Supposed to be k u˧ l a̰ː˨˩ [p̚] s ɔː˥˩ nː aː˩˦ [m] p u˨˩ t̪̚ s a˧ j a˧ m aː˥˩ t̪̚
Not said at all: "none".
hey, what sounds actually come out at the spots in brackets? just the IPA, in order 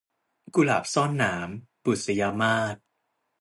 p̚, m

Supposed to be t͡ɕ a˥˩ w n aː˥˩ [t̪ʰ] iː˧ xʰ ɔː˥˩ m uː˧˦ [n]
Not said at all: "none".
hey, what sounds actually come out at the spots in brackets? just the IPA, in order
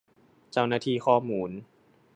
t̪ʰ, n

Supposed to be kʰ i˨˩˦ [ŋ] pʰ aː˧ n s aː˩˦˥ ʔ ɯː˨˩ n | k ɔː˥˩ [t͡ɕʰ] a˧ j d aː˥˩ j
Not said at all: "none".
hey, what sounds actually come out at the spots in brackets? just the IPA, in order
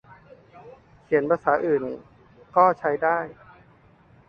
n, t͡ɕʰ

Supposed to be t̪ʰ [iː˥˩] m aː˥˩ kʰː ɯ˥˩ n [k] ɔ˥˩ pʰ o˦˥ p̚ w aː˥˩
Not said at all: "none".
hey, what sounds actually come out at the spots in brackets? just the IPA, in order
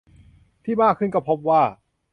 iː˥˩, k

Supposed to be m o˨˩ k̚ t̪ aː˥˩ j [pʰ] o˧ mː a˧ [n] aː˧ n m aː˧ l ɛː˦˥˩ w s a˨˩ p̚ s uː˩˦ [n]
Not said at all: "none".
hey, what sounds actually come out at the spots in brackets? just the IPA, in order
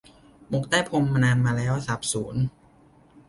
pʰ, n, n

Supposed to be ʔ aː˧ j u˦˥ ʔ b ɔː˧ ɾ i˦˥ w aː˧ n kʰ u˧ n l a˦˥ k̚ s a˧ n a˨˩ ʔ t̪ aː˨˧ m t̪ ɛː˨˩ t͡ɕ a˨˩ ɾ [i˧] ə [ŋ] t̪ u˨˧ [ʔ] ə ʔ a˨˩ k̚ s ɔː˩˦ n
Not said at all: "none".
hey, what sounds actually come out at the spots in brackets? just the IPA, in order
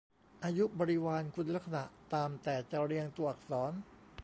i˧, ŋ, none

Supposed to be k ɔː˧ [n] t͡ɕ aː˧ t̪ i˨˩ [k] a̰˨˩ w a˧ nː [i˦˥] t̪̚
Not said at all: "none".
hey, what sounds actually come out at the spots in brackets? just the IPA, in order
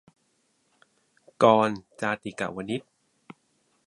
n, k, i˦˥

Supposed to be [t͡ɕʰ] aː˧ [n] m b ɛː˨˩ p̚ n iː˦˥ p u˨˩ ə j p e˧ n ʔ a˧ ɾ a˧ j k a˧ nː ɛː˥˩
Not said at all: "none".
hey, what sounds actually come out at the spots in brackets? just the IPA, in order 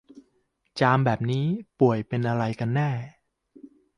t͡ɕ, none

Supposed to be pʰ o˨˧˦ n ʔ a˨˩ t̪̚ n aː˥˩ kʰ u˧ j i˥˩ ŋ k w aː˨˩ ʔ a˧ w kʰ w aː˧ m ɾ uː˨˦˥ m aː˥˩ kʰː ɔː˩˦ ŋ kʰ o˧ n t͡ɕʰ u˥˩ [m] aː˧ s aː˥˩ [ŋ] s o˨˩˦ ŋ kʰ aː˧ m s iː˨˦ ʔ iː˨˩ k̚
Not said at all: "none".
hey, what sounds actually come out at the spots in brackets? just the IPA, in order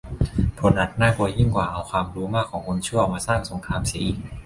m, ŋ

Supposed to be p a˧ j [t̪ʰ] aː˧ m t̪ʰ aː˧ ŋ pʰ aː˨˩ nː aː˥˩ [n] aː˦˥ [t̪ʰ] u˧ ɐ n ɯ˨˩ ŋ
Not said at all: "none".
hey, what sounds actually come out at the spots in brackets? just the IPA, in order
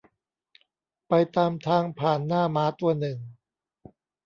t̪, m, t̪

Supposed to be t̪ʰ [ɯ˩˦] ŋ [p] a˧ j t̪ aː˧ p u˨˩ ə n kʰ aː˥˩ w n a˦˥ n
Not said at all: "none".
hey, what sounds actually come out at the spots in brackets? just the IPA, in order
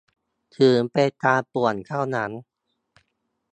ɯː˩˦, p

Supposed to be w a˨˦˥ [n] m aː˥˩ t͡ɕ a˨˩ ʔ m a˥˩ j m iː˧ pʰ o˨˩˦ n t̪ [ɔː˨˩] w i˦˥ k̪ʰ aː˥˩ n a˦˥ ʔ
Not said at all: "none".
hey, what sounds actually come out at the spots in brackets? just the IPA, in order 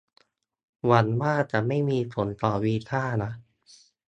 n, ɔː˨˩

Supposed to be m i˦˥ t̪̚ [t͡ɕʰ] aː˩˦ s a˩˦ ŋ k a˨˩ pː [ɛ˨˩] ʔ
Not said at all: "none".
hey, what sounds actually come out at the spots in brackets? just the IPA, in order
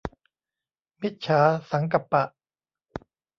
t͡ɕʰ, a˨˩

